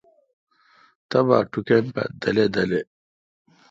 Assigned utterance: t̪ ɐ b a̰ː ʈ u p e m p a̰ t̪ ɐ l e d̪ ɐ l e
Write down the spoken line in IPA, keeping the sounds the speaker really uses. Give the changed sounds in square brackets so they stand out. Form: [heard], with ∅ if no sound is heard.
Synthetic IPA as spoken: t̪ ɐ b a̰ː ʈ u [k] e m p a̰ [d̪] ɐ l e d̪ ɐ l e